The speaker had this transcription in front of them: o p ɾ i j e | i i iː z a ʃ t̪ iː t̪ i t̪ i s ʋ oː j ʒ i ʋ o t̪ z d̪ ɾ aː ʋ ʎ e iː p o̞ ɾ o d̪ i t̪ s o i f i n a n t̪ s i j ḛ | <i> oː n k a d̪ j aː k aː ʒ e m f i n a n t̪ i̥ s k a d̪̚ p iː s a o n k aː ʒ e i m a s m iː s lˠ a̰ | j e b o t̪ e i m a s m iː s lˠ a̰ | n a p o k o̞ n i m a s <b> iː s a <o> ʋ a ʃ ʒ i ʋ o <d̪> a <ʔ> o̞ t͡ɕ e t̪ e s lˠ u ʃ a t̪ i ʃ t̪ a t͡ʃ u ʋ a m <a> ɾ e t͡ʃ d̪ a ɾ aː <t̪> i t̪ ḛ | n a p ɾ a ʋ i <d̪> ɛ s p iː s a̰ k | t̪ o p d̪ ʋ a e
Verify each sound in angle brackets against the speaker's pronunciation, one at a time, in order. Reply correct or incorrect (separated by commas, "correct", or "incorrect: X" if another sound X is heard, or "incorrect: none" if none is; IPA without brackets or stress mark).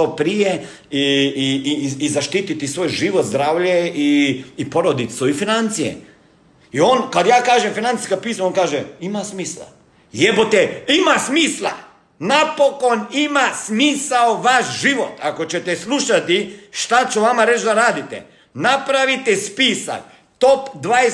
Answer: correct, incorrect: m, correct, incorrect: t̪, incorrect: k, correct, incorrect: d̪, incorrect: t̪